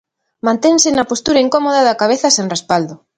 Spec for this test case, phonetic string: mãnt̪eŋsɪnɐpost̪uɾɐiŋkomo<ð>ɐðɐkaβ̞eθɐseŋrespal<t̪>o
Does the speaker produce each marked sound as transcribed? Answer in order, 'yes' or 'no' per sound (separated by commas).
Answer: yes, no